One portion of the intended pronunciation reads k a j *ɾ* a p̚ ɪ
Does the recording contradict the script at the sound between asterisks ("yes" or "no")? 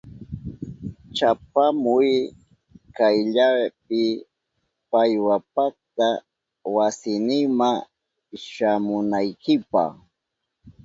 yes